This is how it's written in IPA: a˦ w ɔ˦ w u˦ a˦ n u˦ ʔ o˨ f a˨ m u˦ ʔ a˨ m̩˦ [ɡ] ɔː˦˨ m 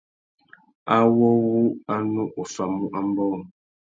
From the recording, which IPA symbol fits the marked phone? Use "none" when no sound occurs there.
b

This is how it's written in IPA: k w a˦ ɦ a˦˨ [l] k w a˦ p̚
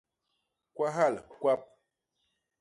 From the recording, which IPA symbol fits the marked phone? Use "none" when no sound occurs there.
l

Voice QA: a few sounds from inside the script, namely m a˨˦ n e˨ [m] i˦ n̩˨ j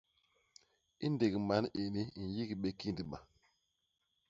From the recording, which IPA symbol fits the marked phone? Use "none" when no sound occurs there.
n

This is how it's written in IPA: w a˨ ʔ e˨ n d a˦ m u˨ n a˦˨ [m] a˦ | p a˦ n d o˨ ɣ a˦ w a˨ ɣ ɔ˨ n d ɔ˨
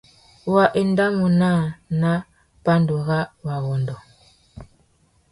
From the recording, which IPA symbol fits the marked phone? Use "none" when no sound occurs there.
n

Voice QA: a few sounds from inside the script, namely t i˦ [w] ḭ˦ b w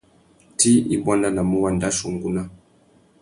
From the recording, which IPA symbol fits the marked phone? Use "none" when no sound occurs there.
none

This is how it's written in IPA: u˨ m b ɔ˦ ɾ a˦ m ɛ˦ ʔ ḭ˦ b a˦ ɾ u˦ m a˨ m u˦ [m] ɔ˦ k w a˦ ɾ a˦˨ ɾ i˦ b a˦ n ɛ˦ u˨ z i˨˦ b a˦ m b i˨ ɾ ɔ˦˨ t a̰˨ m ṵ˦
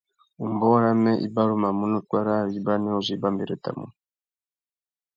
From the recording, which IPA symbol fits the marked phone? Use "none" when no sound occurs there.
n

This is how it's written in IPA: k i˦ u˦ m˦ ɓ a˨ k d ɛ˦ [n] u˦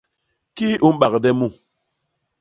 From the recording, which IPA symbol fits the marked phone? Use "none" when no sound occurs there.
m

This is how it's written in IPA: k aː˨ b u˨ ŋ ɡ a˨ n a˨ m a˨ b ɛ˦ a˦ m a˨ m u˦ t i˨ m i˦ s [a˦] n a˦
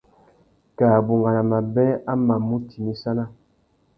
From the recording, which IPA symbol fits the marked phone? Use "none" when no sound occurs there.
a˦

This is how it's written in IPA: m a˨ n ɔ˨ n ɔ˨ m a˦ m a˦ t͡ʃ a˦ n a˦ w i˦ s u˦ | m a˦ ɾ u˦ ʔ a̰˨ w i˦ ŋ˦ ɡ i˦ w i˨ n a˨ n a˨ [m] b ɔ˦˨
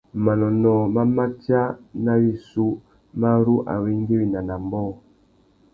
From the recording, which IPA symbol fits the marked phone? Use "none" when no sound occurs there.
m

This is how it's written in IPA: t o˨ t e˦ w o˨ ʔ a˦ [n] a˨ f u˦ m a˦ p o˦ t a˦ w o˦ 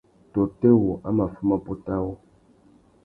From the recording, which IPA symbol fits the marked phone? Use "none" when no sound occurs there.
m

